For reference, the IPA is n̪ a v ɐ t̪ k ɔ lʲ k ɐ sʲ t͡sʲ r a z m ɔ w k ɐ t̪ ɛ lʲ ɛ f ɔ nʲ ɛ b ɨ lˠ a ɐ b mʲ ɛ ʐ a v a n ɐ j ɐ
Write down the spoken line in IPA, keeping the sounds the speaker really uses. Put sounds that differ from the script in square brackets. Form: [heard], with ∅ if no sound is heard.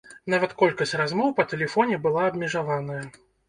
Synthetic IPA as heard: n̪ a v ɐ t̪ k ɔ lʲ k ɐ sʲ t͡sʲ r a z m ɔ w [p] ɐ t̪ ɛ lʲ ɛ f ɔ nʲ ɛ b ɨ lˠ a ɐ b mʲ ɛ ʐ a v a n ɐ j ɐ